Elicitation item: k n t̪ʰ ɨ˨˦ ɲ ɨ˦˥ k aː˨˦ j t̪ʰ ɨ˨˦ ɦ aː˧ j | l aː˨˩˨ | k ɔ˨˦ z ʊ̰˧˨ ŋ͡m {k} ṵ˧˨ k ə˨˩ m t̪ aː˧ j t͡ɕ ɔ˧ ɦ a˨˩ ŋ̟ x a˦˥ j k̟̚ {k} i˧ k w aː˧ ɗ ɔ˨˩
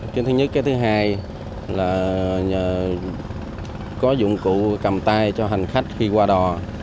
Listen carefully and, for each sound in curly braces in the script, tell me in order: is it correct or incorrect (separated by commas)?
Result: correct, incorrect